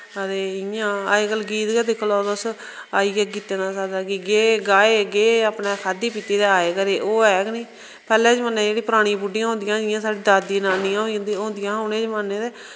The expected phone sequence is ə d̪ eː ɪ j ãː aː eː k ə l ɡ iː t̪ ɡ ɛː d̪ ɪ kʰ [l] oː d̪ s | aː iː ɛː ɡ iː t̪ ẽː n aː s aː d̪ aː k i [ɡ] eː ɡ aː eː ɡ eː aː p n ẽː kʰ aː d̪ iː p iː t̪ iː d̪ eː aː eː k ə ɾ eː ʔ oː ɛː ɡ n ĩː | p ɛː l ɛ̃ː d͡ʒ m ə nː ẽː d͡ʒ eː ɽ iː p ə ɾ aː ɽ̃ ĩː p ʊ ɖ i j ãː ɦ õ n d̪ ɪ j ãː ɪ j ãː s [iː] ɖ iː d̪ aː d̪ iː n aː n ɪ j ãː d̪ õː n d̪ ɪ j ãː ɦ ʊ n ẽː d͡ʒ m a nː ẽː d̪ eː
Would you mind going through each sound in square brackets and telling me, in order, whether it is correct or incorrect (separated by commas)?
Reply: correct, correct, incorrect